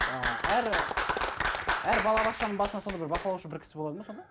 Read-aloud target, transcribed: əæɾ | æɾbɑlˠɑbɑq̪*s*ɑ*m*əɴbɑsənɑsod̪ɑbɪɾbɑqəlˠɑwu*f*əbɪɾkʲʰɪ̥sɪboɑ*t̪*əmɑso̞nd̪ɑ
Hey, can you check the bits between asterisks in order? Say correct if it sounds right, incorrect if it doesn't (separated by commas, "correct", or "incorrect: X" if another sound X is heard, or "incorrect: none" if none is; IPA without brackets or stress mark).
incorrect: ʃ, incorrect: n, incorrect: ʃ, incorrect: d̪